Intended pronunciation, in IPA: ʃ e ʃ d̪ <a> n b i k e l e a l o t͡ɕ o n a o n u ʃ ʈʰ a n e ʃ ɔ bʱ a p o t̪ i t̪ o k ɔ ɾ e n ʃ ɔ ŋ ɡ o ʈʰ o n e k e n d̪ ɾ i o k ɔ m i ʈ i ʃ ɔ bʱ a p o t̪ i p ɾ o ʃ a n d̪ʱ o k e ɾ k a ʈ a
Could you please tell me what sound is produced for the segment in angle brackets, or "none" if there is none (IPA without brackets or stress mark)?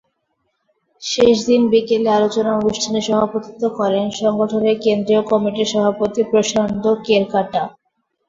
i